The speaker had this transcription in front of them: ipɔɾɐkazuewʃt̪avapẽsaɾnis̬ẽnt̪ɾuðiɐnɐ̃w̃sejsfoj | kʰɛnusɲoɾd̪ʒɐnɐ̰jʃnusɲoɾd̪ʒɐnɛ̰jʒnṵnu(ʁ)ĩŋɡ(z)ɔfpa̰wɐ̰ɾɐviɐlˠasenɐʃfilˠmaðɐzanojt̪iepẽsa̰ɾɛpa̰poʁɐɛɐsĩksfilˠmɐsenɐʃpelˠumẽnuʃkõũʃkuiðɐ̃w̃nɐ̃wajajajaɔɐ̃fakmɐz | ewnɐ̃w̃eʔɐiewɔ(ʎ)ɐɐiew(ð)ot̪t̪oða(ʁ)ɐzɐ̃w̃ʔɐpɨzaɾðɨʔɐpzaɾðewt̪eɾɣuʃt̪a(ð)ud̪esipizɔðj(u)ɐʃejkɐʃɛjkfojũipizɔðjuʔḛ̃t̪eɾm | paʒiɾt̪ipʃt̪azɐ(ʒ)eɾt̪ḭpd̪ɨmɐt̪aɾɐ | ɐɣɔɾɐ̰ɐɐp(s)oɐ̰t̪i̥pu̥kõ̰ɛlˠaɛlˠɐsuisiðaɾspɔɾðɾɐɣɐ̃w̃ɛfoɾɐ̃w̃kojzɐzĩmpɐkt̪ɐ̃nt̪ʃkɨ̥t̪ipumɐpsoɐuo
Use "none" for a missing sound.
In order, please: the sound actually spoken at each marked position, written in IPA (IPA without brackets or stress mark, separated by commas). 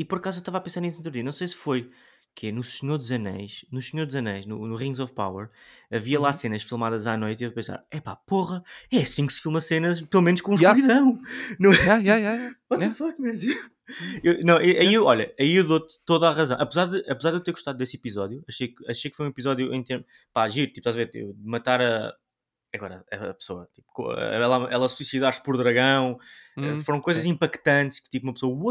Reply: ʁ, z, ʎ, ð, ʁ, ð, u, v, s